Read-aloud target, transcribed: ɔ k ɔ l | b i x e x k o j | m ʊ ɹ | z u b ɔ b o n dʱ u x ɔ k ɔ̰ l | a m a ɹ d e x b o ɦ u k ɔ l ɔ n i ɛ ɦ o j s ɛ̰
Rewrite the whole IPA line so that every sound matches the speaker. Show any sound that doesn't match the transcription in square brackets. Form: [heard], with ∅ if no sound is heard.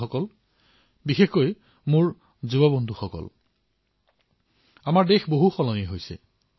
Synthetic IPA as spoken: ɔ k ɔ l | b i x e x k o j | m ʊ ɹ | z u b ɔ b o n dʱ u x ɔ k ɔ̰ l | a m a ɹ d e x b o ɦ u [x] ɔ l ɔ n i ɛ ɦ o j s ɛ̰